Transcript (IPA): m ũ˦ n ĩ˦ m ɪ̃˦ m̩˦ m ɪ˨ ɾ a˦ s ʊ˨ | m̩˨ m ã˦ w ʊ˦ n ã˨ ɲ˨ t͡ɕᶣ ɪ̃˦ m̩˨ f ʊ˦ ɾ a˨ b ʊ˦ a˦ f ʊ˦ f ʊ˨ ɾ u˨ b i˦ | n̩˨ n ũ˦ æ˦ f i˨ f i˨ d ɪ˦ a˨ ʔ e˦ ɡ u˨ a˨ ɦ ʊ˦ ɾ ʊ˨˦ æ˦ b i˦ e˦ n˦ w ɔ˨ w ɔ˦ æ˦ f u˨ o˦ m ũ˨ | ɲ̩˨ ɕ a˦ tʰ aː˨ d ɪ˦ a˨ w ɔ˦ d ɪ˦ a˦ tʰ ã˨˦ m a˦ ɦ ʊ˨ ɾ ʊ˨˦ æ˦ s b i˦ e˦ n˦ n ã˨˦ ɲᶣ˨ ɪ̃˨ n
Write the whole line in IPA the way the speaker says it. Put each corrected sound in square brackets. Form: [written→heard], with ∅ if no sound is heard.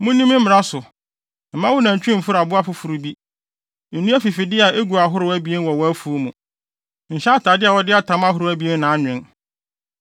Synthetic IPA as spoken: m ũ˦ n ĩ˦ m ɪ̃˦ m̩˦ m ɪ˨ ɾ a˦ s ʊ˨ | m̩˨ m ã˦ w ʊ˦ n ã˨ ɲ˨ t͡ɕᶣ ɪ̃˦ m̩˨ f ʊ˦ ɾ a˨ b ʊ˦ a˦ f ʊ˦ f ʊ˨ ɾ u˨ b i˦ | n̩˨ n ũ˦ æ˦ f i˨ f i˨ d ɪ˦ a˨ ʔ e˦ ɡ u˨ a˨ ɦ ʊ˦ ɾ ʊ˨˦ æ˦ b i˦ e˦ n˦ w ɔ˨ w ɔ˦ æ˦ f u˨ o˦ m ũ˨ | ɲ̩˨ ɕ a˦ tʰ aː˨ d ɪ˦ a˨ w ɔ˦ d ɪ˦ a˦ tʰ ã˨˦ m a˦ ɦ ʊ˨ ɾ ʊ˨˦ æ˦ [s→∅] b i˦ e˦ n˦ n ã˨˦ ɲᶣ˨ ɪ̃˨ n

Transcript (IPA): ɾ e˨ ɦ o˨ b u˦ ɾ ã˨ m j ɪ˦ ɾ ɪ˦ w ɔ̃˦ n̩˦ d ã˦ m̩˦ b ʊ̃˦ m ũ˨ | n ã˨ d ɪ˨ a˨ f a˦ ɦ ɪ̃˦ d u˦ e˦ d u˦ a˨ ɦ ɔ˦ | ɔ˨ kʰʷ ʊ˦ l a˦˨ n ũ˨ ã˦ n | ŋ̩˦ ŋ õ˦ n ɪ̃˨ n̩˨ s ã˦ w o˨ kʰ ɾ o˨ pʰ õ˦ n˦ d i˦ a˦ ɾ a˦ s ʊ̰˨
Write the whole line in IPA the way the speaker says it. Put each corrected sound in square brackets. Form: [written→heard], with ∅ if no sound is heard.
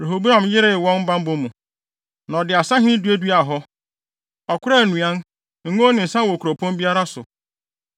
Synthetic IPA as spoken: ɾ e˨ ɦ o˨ b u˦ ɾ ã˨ m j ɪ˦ ɾ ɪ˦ w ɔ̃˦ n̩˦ [d→b] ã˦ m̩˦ b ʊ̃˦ m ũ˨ | n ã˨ d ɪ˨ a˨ [f→s] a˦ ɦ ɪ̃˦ d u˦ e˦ d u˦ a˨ ɦ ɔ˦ | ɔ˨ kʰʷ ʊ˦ [l→ɾ] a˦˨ n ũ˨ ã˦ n | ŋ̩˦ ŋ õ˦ n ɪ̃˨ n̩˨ s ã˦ w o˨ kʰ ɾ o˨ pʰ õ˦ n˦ [d→b] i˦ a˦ ɾ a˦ s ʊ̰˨

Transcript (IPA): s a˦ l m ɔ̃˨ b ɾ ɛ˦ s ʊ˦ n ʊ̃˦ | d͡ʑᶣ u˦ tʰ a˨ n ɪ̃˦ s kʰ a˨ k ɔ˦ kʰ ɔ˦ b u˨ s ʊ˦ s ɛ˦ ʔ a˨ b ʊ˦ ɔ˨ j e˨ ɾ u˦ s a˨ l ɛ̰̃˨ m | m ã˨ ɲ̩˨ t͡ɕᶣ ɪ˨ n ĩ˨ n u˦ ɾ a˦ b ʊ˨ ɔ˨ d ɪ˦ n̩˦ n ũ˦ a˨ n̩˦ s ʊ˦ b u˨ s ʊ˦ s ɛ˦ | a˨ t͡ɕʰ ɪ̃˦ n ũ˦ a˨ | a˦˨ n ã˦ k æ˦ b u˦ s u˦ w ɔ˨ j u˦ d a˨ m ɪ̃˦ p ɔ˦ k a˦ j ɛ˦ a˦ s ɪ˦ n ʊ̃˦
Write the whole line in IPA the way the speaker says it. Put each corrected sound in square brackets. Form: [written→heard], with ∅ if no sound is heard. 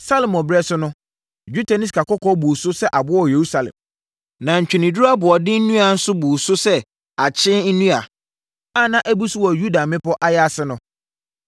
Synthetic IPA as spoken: s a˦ l m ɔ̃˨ b ɾ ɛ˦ s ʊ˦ n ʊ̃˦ | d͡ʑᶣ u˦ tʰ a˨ n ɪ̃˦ s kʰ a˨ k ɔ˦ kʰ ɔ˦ b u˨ s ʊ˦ s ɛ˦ ʔ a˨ b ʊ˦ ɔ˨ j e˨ ɾ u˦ s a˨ l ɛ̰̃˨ m | [m→n] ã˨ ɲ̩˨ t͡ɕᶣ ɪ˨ n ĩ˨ [n→d] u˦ ɾ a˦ b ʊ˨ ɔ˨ d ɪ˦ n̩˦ n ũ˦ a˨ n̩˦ s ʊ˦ b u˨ s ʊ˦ s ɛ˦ | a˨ t͡ɕʰ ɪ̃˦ n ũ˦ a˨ | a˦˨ n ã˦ [k→ʔ] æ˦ b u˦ s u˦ w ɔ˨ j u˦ d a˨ m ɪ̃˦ p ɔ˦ [k→ʔ] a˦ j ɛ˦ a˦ s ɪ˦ n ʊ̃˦

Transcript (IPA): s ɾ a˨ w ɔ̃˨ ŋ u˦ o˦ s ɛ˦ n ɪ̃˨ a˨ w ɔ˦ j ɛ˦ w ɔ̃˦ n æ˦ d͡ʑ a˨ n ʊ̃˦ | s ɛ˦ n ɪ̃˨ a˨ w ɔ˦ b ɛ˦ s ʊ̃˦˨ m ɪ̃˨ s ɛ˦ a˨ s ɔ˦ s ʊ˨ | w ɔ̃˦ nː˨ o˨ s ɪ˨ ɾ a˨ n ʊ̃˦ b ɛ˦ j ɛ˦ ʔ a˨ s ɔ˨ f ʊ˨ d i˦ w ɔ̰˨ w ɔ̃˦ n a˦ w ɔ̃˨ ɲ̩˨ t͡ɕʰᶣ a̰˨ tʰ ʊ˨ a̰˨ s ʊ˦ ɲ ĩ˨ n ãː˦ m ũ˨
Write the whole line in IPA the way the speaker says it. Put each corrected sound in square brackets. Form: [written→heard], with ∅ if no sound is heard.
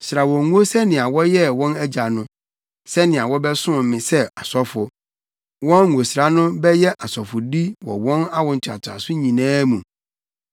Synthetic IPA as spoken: s ɾ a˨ w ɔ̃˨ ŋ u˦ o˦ s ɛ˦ n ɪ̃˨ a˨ w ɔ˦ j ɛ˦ w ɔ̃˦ n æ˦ d͡ʑ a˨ n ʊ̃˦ | s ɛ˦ n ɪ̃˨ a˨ w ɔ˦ b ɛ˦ s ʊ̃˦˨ m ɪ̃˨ s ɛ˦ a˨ s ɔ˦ [s→f] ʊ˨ | w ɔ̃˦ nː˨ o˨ s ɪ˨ ɾ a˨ n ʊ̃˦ b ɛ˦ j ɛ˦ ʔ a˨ s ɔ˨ f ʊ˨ d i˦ w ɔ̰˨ w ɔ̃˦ n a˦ w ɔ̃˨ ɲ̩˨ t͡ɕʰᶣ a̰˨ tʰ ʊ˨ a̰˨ s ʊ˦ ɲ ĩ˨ n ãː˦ m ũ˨

